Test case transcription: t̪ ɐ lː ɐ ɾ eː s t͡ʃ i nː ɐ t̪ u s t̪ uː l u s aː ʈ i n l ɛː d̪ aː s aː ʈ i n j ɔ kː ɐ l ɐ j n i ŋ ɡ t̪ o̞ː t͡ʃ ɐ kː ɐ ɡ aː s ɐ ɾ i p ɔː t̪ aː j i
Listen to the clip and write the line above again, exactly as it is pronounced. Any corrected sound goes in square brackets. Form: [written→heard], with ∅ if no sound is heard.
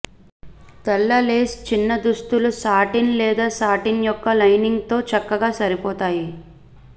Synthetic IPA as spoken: t̪ ɐ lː ɐ [ɾ→l] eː s t͡ʃ i nː ɐ [t̪→d̪] u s t̪ [uː→u] l u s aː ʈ i n l ɛː d̪ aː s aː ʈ i n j ɔ kː ɐ l ɐ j n i ŋ ɡ t̪ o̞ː t͡ʃ ɐ kː ɐ ɡ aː s ɐ ɾ i p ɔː t̪ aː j i